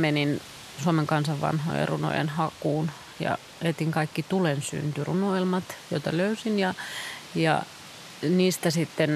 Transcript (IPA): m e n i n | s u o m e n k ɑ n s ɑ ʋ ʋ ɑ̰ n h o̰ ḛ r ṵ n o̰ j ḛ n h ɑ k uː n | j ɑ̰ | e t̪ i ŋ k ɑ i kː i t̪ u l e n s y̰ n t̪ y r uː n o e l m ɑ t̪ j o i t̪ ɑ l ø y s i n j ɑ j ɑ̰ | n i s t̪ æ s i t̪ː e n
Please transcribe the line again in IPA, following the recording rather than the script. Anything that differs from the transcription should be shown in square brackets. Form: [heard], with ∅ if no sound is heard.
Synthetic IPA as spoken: m e n i n | s u o m e [ŋ] k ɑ n s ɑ ʋ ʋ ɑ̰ n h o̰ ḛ r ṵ n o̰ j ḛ n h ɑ k uː n | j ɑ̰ | e t̪ i ŋ k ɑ i kː i t̪ u l e n s y̰ n t̪ y r [u] n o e l m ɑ t̪ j o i t̪ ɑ l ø y s i n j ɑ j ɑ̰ | n [iː] s t̪ æ s i t̪ː e n